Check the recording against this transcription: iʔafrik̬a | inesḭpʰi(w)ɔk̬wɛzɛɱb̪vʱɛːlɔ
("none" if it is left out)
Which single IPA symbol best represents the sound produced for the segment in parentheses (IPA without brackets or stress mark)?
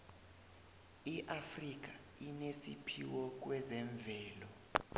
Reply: w